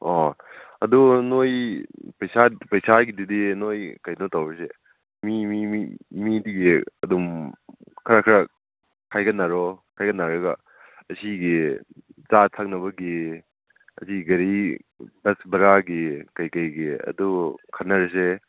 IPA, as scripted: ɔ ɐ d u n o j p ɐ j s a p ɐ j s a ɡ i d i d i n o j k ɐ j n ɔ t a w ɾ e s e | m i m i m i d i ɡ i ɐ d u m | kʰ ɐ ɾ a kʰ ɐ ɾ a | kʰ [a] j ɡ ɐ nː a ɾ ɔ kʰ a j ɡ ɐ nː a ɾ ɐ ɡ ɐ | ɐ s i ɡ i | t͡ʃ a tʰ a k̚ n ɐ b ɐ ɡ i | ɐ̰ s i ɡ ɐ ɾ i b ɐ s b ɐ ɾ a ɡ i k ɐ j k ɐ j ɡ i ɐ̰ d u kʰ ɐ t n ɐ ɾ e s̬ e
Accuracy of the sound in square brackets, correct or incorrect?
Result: correct